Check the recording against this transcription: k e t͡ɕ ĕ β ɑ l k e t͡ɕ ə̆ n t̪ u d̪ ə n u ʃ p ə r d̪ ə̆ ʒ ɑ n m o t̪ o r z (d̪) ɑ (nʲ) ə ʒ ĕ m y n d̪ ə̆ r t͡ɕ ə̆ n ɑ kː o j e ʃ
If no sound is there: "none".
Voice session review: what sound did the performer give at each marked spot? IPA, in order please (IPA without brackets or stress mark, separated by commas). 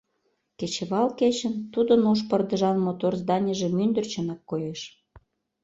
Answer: d̪, nʲ